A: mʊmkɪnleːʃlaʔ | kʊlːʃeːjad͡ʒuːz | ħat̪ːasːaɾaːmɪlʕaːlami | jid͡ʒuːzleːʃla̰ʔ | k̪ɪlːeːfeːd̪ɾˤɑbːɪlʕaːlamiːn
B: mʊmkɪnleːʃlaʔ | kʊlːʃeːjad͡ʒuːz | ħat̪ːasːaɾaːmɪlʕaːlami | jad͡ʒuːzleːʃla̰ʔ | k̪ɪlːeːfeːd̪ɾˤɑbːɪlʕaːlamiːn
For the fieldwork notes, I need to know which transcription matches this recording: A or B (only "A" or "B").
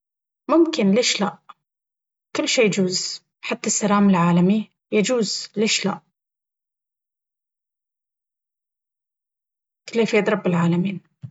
B